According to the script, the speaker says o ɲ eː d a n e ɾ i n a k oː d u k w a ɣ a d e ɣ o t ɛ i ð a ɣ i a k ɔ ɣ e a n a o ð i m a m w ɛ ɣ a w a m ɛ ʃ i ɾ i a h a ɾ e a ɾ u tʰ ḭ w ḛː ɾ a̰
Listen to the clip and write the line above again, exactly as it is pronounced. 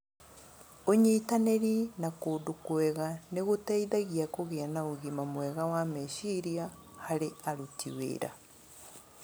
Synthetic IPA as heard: o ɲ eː t a n e ɾ i n a k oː d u k w ɛ ɣ a n e ɣ o t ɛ i ð a ɣ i a k o ɣ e a n a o ɣ i m a m w ɛ ɣ a w a m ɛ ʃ i ɾ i a h a ɾ e a ɾ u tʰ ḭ w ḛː ɾ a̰